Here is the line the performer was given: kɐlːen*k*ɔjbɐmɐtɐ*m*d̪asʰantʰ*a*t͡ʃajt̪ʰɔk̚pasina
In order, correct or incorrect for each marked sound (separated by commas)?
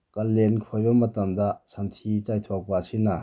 incorrect, correct, incorrect